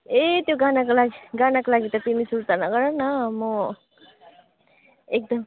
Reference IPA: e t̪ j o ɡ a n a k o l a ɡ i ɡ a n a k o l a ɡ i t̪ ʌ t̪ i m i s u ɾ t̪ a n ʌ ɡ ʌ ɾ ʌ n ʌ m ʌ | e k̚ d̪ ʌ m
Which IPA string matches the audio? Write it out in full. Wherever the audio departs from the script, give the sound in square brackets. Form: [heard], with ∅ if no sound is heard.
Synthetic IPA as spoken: e t̪ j o ɡ a n a k o l a ɡ i ɡ a n a k o l a ɡ i t̪ ʌ t̪ i m i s u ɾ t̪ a n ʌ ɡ ʌ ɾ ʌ n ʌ m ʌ | e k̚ d̪ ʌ m